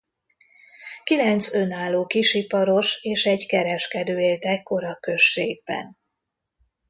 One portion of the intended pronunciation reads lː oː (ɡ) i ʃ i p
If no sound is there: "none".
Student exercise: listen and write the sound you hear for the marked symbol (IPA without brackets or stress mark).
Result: k